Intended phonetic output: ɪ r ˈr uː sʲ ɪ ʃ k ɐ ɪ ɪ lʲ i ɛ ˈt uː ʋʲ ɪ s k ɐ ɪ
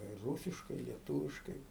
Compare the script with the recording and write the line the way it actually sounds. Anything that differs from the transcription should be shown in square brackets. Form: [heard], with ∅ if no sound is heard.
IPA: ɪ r ˈr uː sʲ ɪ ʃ k ɐ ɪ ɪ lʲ i ɛ ˈt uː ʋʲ ɪ [ʃ] k ɐ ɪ